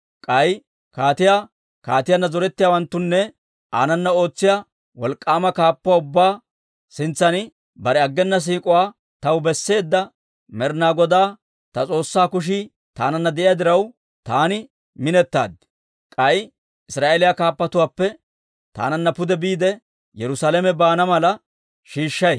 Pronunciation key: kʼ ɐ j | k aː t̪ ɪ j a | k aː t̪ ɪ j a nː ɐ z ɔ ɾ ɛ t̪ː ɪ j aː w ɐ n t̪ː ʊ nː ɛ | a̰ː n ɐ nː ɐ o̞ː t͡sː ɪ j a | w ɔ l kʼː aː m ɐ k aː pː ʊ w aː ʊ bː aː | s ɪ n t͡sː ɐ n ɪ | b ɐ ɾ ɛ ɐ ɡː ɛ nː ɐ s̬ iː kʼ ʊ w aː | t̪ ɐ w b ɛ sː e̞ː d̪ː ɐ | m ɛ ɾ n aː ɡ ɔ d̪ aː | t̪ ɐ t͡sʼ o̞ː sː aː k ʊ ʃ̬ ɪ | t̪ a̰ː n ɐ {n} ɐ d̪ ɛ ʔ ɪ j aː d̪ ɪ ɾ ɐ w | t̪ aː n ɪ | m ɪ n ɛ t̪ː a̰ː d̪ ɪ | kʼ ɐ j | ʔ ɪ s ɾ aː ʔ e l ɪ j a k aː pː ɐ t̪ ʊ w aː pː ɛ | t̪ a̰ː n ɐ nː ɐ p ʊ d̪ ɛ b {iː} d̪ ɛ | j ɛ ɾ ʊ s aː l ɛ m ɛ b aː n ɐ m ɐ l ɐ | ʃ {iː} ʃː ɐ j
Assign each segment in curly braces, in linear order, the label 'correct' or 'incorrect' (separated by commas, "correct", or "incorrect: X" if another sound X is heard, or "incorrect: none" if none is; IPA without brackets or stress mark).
incorrect: nː, correct, correct